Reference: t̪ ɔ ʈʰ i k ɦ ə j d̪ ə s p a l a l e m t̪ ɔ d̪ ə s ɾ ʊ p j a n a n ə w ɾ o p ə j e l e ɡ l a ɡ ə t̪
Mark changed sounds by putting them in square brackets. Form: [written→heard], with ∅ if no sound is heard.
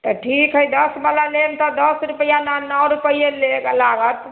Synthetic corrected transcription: t̪ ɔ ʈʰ i k ɦ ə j d̪ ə s [p→b] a l a l e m t̪ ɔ d̪ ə s ɾ [ʊ→u] p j a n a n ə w ɾ [o→u] p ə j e l e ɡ l a ɡ ə t̪

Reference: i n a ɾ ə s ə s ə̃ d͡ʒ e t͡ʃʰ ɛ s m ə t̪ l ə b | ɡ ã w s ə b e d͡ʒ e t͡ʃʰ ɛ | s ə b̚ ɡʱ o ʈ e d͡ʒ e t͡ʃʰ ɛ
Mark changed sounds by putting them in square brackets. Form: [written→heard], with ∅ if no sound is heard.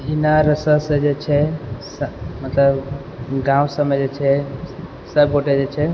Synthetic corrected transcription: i n a ɾ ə s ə s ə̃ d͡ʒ e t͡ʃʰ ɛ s m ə t̪ l ə b | ɡ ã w s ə [b→m] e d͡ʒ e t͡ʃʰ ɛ | s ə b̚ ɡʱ o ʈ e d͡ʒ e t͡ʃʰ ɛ

